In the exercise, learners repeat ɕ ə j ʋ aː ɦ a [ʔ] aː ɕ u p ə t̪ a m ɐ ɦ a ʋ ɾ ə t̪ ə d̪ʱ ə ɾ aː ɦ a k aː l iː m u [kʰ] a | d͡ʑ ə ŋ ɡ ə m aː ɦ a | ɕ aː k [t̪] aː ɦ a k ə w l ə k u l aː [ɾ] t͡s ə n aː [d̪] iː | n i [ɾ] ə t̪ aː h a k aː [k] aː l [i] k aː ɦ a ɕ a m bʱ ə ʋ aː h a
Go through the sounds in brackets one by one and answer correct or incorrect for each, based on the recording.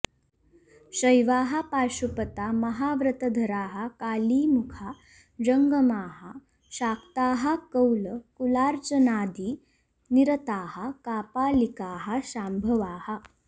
incorrect: p, correct, correct, correct, correct, correct, incorrect: p, correct

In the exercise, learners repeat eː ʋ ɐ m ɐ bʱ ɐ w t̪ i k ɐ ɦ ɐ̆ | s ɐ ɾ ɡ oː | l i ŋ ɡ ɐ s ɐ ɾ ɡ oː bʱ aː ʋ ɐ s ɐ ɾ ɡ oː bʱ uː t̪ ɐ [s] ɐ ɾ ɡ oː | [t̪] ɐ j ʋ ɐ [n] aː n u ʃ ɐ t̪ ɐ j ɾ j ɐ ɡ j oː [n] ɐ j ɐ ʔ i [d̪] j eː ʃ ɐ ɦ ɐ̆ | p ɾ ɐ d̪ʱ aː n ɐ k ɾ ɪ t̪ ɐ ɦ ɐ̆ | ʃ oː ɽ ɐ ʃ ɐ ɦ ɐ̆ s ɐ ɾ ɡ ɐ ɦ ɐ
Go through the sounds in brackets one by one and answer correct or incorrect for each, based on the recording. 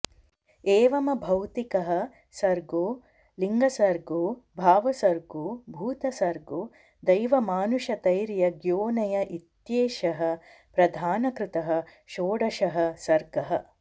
correct, incorrect: d̪, incorrect: m, correct, incorrect: t̪

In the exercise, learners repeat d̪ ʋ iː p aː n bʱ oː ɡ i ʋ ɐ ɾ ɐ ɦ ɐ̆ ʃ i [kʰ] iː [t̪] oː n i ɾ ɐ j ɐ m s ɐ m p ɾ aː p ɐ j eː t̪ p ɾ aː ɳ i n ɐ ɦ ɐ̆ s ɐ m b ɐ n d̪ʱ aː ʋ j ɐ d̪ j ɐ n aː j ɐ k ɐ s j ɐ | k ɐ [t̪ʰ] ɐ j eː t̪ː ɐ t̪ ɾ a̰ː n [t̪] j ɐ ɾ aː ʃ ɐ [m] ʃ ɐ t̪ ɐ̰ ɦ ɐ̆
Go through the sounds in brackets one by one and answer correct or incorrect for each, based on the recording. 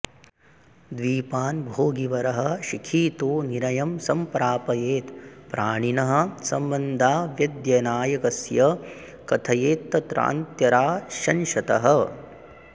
correct, correct, correct, correct, incorrect: n

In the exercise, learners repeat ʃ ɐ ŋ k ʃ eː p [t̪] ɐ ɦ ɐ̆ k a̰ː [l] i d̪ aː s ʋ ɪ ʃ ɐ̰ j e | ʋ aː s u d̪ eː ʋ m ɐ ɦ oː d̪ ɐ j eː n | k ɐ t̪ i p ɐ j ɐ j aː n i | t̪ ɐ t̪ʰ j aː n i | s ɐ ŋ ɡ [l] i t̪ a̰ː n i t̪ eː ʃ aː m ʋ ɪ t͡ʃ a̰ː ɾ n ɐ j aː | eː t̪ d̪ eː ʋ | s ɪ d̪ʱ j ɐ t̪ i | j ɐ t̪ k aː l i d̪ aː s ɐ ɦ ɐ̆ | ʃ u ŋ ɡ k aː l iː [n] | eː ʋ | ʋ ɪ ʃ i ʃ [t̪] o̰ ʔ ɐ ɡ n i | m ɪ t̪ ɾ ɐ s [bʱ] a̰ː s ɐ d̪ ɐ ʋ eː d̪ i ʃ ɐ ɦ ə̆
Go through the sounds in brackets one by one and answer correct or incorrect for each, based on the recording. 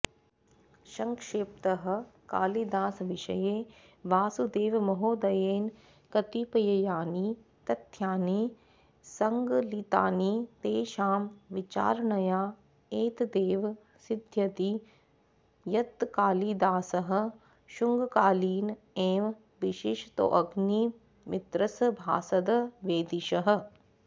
correct, correct, correct, correct, correct, correct

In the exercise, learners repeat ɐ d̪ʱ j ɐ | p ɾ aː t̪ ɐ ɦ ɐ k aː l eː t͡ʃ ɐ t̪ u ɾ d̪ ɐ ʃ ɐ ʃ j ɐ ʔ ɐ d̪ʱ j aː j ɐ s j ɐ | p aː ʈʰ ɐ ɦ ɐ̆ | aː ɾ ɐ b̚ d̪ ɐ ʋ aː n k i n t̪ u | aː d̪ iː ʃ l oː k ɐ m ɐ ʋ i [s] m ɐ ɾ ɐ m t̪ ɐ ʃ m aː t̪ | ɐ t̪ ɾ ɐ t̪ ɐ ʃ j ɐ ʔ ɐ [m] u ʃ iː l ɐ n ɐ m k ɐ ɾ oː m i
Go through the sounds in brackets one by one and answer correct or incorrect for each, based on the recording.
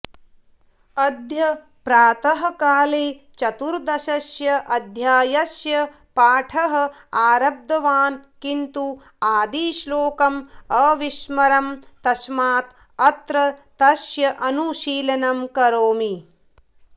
incorrect: ʃ, incorrect: n

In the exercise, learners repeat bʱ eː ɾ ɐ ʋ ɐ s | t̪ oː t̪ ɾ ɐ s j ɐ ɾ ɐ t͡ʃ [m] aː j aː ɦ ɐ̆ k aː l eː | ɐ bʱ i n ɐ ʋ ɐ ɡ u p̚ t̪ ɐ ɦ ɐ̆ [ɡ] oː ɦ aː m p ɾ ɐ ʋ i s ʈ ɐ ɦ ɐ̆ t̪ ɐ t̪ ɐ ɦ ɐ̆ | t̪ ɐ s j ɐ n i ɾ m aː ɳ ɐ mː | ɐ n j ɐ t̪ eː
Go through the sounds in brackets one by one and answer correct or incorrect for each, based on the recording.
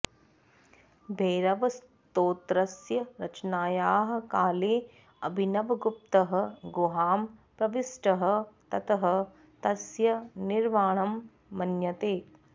incorrect: n, correct

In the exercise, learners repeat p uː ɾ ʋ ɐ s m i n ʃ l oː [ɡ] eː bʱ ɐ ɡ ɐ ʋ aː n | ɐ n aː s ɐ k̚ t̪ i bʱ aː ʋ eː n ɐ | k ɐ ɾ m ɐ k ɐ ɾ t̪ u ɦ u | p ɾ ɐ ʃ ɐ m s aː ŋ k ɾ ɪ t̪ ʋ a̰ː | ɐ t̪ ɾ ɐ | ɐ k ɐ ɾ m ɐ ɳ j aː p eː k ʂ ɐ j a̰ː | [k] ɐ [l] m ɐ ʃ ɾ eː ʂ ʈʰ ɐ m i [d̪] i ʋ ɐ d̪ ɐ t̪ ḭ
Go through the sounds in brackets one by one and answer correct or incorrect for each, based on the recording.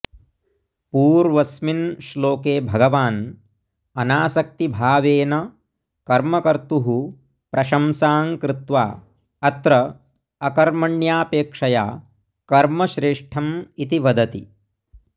incorrect: k, correct, incorrect: ɾ, incorrect: t̪

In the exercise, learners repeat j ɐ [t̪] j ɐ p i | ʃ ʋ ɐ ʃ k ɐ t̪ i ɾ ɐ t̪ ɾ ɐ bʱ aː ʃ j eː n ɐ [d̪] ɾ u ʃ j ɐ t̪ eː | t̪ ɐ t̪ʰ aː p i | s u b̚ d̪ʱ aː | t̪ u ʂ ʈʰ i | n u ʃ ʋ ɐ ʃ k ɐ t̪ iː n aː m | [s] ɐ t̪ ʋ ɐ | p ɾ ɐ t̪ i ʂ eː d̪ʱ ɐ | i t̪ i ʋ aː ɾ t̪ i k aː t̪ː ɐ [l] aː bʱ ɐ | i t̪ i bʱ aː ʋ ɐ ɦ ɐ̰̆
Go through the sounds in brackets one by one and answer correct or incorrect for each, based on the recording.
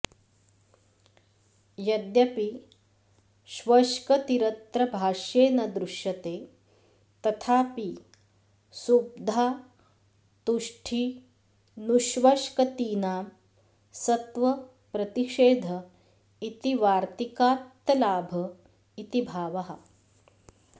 incorrect: d̪, correct, correct, correct

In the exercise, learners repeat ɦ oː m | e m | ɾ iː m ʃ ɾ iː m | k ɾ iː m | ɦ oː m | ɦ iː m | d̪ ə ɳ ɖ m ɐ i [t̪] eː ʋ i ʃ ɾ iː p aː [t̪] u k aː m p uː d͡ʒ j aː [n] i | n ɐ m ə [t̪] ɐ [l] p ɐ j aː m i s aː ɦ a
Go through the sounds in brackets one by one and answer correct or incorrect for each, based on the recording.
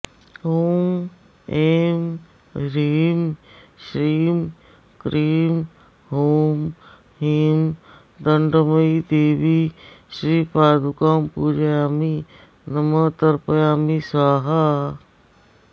incorrect: d̪, incorrect: d̪, incorrect: m, correct, incorrect: ɾ

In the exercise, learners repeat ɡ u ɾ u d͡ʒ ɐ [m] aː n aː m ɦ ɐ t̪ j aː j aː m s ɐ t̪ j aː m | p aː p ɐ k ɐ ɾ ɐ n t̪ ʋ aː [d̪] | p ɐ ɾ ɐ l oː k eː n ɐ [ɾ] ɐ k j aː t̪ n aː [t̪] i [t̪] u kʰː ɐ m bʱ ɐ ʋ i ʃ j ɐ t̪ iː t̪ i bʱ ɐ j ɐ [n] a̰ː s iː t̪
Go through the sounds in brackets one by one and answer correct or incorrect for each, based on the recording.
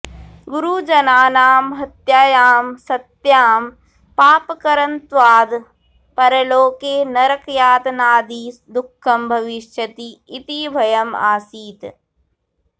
incorrect: n, correct, correct, incorrect: d̪, incorrect: d̪, incorrect: m

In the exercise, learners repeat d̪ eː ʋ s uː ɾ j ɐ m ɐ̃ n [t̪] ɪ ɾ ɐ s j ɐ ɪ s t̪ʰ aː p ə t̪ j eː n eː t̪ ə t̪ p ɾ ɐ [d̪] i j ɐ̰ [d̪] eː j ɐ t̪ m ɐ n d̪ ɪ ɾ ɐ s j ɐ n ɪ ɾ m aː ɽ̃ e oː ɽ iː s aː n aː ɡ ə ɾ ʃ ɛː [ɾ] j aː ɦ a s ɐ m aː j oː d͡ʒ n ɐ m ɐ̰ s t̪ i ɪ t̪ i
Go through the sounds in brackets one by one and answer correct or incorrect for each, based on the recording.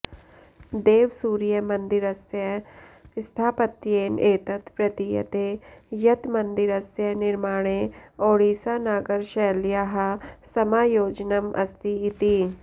incorrect: d̪, incorrect: t̪, incorrect: t̪, incorrect: l

